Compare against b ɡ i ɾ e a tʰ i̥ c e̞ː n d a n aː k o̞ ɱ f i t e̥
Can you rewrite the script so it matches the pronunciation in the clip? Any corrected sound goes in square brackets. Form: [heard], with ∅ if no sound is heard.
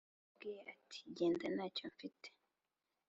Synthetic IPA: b ɡ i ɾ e a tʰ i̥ [ɟ] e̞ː n d a n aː [c] o̞ ɱ f i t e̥

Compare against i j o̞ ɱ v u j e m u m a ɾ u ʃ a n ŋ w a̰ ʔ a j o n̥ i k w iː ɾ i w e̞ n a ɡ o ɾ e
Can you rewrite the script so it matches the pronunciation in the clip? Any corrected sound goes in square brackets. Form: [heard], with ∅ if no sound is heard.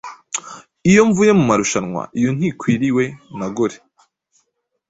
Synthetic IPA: i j o̞ ɱ v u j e m u m a ɾ u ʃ a n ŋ w a̰ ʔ [i] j o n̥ i k w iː ɾ i w e̞ n a ɡ o ɾ e

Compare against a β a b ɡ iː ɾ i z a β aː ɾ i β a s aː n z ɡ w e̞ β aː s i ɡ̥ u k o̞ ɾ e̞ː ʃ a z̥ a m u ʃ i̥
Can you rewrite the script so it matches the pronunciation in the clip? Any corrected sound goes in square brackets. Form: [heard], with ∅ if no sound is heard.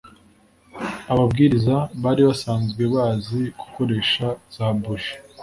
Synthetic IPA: a β a b ɡ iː ɾ i z a β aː ɾ i β a s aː n z ɡ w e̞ β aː [z] i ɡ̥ u k o̞ ɾ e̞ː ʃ a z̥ a [b] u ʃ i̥

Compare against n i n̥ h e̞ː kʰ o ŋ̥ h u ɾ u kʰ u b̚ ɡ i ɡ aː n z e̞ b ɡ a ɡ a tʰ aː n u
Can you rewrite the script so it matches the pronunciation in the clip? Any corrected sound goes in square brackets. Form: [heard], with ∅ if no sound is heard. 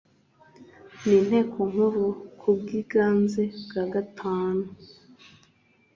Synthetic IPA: n i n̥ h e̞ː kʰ o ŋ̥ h u ɾ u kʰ u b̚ ɡ i ɡ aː n z e̞ b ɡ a ɡ a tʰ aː n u

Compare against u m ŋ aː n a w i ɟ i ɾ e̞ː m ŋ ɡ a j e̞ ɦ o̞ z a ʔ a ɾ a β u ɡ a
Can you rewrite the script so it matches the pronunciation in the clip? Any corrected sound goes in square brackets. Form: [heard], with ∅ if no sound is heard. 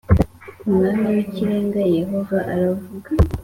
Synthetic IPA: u m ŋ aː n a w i [c] i ɾ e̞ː [∅] ŋ ɡ a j e̞ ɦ o̞ [v] a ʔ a ɾ a [v] u ɡ a

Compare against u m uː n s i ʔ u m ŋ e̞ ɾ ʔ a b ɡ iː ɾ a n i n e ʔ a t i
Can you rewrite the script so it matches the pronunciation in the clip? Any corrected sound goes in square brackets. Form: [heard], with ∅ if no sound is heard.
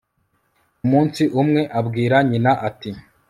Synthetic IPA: u m uː n s i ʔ u m ŋ e̞ [∅] ʔ a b ɡ iː ɾ a [ɲ] i n [a] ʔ a t i

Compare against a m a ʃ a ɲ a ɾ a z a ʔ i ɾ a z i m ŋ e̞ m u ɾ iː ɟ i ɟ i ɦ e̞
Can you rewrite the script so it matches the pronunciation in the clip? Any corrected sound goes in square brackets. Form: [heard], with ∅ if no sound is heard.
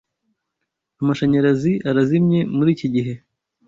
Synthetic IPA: a m a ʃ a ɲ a ɾ a z [i] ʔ [a] ɾ a z i m [ɲ] e̞ m u ɾ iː [c] i ɟ i ɦ e̞

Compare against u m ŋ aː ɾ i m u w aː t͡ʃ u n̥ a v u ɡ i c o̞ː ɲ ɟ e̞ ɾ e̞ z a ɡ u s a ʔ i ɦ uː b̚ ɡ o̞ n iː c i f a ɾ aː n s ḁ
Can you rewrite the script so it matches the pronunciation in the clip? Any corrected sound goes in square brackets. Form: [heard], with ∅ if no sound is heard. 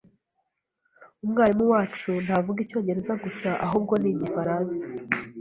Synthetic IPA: u m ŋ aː ɾ i m u w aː t͡ʃ u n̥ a v u ɡ i c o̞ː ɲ ɟ e̞ ɾ e̞ z a ɡ u s a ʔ [a] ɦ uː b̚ ɡ o̞ n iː [ɟ] i f a ɾ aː n s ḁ

